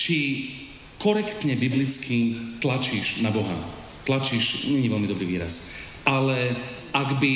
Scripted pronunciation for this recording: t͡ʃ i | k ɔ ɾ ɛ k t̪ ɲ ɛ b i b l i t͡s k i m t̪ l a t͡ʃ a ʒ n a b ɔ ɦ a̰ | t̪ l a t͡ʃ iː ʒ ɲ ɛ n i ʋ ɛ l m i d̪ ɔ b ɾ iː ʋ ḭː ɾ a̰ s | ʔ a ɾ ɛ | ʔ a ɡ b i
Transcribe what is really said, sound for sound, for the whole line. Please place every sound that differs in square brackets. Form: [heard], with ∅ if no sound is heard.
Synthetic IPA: t͡ʃ i | k ɔ ɾ ɛ k t̪ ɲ ɛ b i b l i t͡s k i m t̪ l a t͡ʃ [i] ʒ n a b ɔ ɦ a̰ | t̪ l a t͡ʃ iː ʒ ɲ ɛ [ɲ] i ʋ ɛ l m i d̪ ɔ b ɾ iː ʋ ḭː ɾ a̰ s | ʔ a [l] ɛ | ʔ a ɡ b i